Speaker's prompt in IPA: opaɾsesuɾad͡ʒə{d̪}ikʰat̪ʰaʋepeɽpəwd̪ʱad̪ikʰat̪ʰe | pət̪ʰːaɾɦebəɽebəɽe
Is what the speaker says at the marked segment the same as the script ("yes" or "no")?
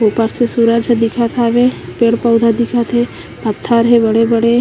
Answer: yes